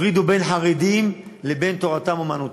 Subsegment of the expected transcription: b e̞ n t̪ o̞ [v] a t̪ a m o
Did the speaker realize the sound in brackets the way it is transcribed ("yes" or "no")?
no